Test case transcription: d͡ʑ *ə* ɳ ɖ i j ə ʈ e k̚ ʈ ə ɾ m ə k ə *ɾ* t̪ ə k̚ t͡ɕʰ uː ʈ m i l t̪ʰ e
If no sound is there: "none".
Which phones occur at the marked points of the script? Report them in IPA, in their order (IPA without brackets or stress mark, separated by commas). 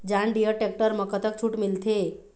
a, none